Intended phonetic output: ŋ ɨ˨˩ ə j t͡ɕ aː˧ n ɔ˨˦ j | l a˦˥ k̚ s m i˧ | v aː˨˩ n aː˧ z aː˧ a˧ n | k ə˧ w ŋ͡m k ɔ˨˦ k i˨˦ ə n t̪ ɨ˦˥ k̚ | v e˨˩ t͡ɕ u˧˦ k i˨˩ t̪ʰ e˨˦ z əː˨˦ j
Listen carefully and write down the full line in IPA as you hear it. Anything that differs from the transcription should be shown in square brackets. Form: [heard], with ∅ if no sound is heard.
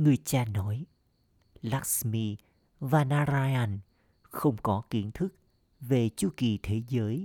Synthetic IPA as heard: ŋ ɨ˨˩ ə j t͡ɕ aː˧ n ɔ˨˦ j | l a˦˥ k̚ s m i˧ | v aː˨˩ n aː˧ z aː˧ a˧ n | [x] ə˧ w ŋ͡m k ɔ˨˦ k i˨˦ ə n [t̪ʰ] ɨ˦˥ k̚ | v e˨˩ t͡ɕ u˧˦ k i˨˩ t̪ʰ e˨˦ z əː˨˦ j